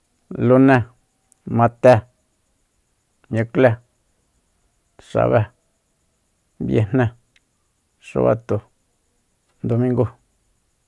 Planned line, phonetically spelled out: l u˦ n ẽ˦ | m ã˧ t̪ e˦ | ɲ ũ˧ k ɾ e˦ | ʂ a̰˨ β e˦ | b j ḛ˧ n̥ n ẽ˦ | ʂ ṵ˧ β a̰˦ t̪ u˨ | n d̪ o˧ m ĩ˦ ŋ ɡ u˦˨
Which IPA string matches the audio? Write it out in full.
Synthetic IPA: l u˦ n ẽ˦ | m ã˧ t̪ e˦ | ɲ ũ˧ k l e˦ | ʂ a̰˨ β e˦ | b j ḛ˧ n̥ n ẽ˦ | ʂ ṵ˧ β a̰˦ t̪ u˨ | n d̪ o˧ m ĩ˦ ŋ ɡ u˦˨

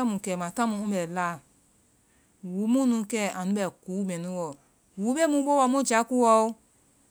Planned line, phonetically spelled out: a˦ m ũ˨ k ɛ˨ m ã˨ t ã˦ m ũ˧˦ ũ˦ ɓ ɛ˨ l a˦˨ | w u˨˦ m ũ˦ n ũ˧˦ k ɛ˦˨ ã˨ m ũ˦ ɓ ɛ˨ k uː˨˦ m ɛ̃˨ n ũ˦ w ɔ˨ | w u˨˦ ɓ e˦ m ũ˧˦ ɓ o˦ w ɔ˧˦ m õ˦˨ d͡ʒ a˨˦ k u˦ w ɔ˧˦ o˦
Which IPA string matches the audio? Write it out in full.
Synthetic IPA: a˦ m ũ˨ k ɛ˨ m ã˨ t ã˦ m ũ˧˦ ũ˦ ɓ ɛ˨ l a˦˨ | w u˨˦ m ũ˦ n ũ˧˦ k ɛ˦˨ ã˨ n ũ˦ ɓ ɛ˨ k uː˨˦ m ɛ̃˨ n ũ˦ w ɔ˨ | w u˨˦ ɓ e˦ m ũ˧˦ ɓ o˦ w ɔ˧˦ m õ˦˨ d͡ʒ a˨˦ k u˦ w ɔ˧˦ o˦

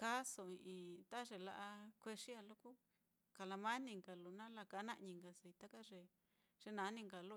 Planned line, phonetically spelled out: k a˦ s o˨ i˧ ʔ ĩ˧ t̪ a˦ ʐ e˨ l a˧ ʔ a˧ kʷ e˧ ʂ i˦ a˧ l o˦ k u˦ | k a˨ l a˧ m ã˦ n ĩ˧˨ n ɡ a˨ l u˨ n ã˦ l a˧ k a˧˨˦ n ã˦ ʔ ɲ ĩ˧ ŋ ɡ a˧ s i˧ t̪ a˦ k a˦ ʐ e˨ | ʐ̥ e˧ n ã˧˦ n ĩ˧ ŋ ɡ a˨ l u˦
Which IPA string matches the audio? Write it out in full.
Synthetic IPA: k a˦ s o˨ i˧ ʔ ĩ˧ t̪ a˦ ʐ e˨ l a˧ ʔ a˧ kʷ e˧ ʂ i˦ a˧ l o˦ k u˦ | k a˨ l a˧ m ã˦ n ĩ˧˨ ŋ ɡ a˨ l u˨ n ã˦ l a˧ k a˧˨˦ n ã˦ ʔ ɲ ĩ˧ ŋ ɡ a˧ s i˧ t̪ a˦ k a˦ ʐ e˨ | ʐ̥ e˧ n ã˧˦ n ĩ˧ ŋ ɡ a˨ l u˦

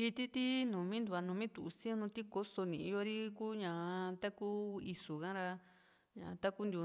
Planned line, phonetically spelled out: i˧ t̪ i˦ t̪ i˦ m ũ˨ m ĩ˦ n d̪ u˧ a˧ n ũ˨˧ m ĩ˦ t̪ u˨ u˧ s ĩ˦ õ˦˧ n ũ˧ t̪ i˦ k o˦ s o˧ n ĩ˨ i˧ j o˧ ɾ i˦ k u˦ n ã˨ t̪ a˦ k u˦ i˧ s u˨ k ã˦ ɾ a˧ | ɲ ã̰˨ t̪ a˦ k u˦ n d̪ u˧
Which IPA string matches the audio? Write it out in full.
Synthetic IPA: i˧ t̪ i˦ t̪ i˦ n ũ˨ m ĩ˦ n d̪ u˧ a˧ n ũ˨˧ m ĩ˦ t̪ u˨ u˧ s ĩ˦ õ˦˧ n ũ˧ t̪ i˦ k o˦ s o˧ n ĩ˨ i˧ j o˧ ɾ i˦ k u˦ ɲ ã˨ t̪ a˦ k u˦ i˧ s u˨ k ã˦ ɾ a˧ | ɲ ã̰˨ t̪ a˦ k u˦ n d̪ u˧

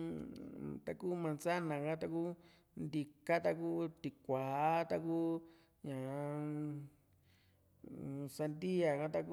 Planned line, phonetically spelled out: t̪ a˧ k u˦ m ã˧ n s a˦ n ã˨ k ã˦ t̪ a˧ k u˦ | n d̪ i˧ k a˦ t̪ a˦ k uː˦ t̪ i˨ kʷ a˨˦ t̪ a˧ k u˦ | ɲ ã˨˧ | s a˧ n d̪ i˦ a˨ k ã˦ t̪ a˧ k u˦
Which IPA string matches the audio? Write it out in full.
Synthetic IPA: t̪ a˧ k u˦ m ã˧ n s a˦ n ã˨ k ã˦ t̪ a˧ k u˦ | n d̪ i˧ k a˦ t̪ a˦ k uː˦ t̪ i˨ kʷ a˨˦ t̪ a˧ k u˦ | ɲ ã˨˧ | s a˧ n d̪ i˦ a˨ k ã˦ t̪ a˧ k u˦

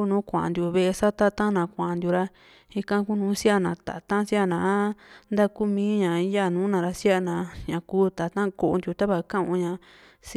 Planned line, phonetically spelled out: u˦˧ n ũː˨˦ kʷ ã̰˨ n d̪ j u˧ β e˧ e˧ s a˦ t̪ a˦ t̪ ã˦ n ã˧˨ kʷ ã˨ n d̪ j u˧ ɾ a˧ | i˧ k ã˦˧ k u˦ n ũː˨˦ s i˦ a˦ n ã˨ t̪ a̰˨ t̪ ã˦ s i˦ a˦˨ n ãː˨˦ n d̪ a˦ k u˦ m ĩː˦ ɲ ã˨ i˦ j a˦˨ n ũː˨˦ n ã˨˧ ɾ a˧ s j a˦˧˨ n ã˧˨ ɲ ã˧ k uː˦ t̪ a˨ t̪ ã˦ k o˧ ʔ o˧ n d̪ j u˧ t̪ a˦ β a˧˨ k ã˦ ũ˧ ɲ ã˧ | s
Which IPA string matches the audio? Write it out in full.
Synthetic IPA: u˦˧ n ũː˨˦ kʷ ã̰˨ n d̪ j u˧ β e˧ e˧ s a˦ t̪ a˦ t̪ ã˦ n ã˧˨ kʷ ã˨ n d̪ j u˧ ɾ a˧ | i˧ k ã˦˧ k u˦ n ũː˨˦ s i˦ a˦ n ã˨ t̪ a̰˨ t̪ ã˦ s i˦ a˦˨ n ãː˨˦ n d̪ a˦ k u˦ m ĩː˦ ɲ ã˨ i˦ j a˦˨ n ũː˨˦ n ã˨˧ ɾ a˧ s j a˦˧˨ n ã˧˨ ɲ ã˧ k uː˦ t̪ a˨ t̪ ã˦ k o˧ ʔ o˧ n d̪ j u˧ t̪ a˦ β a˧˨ k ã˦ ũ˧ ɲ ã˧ | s

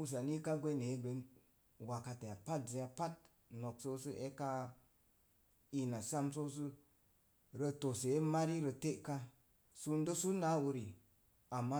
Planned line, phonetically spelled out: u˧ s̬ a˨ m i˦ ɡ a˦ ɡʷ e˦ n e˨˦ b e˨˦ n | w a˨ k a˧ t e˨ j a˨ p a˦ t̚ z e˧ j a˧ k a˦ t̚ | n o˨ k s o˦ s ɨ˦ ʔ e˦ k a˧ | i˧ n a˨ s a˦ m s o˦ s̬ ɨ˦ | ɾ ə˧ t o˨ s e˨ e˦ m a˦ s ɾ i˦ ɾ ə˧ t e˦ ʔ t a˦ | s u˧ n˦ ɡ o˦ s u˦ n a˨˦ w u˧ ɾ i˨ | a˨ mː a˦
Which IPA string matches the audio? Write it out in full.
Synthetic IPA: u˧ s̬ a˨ n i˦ k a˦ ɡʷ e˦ n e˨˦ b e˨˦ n | w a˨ k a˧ t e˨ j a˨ p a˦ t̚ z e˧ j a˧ p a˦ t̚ | n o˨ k s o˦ s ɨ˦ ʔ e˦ k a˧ | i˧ n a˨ s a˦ m s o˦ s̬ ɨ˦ | ɾ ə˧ t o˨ s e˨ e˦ m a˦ ɾ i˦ ɾ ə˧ t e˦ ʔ k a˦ | s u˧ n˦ d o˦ s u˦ n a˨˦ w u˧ ɾ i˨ | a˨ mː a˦

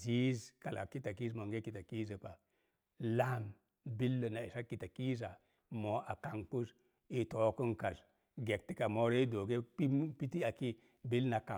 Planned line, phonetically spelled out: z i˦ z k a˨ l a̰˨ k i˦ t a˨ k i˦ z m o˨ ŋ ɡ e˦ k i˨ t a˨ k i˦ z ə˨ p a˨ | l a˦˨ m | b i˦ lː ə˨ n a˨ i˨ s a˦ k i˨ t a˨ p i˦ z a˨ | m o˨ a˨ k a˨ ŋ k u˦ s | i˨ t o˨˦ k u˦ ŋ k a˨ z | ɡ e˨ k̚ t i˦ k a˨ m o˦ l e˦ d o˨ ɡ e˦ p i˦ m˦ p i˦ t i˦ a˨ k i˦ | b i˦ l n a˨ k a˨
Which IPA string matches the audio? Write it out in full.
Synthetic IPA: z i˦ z k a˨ l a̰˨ k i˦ t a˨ k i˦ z m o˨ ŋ ɡ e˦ k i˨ t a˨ k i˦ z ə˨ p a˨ | l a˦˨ m | b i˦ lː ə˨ n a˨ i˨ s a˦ k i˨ t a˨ k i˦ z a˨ | m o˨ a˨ k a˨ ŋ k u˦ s | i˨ t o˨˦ k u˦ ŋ k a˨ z | ɡ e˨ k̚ t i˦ k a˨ m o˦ ɾ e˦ d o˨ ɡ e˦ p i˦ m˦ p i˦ t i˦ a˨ k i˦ | b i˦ l n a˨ k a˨

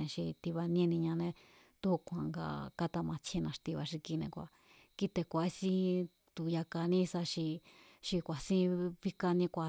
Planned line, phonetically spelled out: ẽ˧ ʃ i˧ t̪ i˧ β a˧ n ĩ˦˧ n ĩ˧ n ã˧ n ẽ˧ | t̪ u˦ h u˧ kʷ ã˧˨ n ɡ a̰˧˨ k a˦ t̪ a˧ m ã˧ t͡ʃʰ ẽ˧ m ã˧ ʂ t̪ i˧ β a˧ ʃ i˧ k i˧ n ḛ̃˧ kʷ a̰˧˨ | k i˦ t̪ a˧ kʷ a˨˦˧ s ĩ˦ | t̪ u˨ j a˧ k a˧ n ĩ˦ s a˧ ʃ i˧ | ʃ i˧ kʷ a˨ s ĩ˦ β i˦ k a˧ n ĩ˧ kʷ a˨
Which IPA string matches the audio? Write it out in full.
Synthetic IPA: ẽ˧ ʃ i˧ t̪ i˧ β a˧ n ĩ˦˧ n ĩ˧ ɲ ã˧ n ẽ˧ | t̪ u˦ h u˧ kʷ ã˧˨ ŋ ɡ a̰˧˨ k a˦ t̪ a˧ m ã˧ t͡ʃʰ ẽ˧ n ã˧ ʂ t̪ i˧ β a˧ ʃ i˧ k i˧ n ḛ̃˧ kʷ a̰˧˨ | k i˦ t̪ e˧ kʷ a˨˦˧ s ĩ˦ | t̪ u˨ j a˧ k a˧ n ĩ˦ s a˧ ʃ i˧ | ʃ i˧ kʷ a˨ s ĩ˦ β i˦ k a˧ n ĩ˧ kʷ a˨

